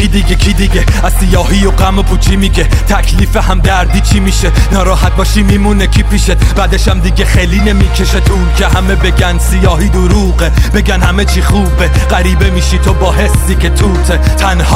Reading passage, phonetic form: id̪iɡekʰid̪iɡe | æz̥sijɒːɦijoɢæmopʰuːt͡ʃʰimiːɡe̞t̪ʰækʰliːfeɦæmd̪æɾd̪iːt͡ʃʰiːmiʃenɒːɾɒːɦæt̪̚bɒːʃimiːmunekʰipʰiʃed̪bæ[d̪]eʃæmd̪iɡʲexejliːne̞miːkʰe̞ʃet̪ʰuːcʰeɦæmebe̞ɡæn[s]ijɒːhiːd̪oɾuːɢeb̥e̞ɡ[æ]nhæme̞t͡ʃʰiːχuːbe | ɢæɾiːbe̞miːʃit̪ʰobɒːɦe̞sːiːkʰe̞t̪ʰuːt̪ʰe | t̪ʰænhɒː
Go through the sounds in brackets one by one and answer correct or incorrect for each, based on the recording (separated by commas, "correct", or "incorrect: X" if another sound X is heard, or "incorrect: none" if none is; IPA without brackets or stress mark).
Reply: correct, correct, correct